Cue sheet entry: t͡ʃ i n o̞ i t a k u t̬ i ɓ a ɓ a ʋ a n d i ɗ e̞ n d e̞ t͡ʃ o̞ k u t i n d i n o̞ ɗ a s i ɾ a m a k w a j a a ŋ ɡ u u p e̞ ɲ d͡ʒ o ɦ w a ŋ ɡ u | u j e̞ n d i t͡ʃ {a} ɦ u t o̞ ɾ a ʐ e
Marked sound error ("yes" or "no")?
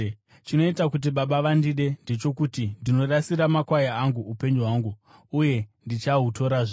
no